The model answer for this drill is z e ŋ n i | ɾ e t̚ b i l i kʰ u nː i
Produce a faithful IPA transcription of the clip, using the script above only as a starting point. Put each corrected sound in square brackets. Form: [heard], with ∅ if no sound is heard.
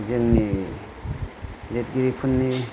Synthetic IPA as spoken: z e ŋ n i | [l] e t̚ [ɡ] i [ɾ] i [pʰ] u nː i